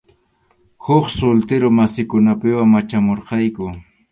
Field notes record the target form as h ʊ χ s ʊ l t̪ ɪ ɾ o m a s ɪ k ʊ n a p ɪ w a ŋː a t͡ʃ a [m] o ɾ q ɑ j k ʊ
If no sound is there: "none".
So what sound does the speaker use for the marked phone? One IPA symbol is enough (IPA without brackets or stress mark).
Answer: m